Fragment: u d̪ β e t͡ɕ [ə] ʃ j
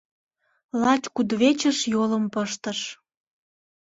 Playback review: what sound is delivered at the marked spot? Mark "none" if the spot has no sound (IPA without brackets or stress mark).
ə